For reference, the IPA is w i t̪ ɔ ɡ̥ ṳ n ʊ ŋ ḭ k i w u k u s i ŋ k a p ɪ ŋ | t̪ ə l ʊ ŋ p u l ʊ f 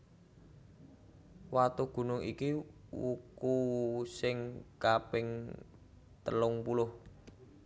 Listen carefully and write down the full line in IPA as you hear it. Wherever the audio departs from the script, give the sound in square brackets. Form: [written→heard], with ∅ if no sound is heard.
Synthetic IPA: w [i→a] t̪ [ɔ→u] ɡ̥ ṳ n ʊ ŋ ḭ k i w u k u s [i→ɪ] ŋ k a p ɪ ŋ | t̪ ə l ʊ ŋ p u l ʊ [f→h]

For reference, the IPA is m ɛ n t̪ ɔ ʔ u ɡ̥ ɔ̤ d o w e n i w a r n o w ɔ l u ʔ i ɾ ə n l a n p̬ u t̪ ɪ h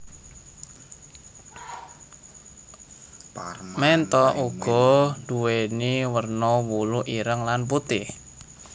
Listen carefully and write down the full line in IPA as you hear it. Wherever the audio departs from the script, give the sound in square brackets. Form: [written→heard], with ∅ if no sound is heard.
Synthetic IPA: m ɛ n t̪ ɔ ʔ u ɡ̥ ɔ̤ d [o→u] w e n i w [a→ə] r n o w [ɔ→u] l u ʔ i ɾ ə [n→ŋ] l a n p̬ u t̪ ɪ h

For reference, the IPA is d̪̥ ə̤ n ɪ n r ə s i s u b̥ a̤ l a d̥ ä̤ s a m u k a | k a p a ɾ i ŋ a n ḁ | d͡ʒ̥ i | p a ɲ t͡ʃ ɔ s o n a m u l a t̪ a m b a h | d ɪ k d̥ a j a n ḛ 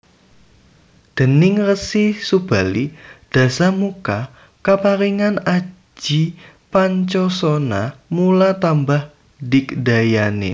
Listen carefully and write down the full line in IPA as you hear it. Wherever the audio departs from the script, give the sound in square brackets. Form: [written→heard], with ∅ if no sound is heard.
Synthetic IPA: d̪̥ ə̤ n ɪ [n→ŋ] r ə s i s u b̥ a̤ l [a→i] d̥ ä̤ s a m u k a | k a p a ɾ i ŋ a n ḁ | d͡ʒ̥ i | p a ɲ t͡ʃ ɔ s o n a m u l a t̪ a m b a h | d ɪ k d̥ a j a n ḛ

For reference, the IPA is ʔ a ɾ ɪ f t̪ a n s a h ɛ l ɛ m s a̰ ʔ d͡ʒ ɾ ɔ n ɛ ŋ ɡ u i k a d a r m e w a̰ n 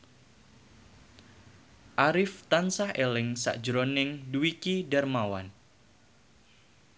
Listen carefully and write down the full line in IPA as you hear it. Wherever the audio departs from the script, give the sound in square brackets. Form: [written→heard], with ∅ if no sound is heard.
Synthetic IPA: ʔ a ɾ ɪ f t̪ a n s a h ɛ l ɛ [m→ŋ] s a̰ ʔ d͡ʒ ɾ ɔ n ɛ ŋ [ɡ→d] u i k [a→i] d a r m [e→a] w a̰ n

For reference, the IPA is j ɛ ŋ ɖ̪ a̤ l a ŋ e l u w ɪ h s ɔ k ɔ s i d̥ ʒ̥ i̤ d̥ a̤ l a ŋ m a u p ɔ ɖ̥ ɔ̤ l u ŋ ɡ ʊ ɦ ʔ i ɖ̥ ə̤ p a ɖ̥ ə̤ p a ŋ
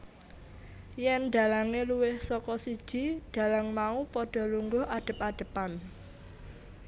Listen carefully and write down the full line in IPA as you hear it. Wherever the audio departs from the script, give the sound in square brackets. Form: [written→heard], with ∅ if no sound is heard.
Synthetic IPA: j ɛ [ŋ→n] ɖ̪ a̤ l a ŋ e l u w ɪ h s ɔ k ɔ s i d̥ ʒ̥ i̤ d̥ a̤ l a ŋ m a u p ɔ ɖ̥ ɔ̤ l u ŋ ɡ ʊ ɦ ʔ [i→a] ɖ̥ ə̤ p a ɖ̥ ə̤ p a [ŋ→n]

